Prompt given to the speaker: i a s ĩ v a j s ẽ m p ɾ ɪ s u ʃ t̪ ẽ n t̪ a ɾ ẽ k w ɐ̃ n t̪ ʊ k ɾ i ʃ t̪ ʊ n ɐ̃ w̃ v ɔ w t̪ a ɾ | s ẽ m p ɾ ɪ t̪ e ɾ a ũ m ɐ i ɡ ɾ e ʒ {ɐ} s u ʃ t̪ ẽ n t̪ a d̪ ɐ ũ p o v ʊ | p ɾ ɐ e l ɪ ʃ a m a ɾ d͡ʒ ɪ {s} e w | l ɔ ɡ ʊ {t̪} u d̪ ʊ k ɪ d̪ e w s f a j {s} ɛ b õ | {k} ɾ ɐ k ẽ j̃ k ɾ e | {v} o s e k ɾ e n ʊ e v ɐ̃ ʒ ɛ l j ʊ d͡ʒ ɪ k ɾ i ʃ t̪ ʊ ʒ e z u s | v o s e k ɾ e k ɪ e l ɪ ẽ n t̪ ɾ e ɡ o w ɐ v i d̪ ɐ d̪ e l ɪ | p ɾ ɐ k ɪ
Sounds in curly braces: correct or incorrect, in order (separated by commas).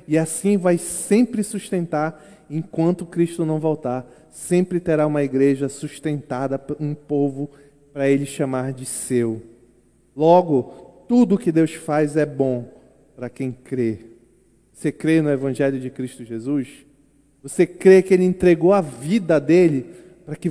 correct, correct, correct, incorrect, incorrect, correct